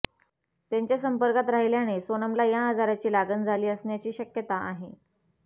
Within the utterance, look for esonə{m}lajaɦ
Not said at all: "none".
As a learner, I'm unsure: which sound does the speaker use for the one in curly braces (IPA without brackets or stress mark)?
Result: m